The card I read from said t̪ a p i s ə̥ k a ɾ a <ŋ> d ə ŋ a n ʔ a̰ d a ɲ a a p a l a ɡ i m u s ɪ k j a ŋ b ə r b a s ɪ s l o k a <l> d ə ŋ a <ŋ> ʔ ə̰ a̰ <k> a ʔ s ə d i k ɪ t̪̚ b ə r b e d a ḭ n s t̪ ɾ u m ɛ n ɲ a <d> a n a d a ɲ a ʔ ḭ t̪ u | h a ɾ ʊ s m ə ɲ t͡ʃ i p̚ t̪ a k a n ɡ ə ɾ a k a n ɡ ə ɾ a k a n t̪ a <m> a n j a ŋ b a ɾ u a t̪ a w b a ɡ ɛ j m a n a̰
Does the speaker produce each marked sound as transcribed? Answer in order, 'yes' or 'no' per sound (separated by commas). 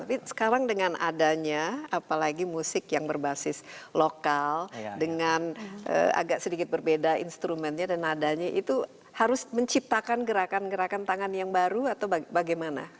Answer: yes, yes, no, no, yes, no